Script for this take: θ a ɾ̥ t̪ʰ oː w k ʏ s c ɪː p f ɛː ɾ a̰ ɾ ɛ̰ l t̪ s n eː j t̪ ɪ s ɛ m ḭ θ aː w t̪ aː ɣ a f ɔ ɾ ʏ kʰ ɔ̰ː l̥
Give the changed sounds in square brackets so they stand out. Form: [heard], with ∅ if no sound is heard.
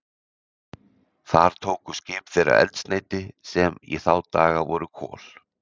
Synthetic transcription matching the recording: θ a ɾ̥ t̪ʰ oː w k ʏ s c ɪː p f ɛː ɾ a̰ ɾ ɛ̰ l t̪ s n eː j t̪ ɪ s ɛ m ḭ θ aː w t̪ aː ɣ a [v] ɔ ɾ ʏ kʰ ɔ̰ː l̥